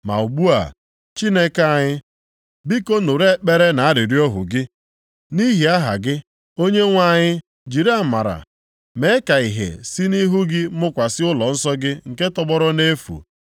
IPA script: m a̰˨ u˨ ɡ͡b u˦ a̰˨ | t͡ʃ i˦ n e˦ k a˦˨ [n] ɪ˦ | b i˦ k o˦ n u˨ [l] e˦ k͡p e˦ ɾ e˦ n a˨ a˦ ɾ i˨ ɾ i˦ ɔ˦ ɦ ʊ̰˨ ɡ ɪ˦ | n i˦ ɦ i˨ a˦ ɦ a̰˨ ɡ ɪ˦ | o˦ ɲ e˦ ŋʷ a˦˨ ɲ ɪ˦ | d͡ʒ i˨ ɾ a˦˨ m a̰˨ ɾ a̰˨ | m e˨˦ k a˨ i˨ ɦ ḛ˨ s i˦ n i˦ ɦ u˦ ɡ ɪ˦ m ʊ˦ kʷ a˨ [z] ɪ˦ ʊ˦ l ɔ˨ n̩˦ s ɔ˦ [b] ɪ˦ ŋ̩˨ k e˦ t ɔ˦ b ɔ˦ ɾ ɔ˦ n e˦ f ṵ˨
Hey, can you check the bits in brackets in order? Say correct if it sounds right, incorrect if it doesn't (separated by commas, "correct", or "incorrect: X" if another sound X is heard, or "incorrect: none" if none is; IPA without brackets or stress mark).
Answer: incorrect: ɲ, incorrect: ɾ, incorrect: s, incorrect: ɡ